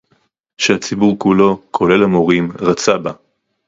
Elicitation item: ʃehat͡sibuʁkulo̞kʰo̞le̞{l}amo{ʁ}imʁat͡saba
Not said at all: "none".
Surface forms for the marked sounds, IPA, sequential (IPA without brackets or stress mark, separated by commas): l, ʁ